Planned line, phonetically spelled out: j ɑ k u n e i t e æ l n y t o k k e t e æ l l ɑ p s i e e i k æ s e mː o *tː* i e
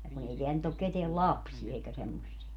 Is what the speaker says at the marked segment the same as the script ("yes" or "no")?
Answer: no